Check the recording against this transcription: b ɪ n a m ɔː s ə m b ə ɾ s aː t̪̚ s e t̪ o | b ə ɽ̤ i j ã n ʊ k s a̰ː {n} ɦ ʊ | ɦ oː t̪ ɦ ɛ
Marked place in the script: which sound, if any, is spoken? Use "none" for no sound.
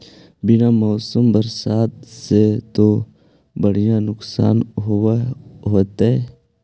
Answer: n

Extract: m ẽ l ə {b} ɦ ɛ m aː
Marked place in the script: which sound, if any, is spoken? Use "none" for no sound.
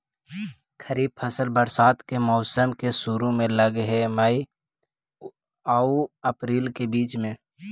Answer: ɡ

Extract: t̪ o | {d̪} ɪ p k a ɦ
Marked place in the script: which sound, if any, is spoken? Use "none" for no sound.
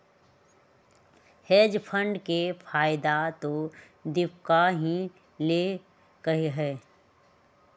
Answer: d̪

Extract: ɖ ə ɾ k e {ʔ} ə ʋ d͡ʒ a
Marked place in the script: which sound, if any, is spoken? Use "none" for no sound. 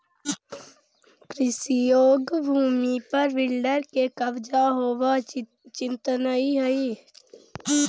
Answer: k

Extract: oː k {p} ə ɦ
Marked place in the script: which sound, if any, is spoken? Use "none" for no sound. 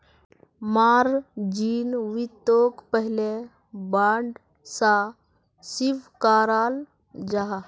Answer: p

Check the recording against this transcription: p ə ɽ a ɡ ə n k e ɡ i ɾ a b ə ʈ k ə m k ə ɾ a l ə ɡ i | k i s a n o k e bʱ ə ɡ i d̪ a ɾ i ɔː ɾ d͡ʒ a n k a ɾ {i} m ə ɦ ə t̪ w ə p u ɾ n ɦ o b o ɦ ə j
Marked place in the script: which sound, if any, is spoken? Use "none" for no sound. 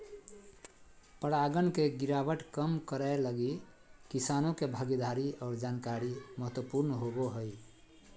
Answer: i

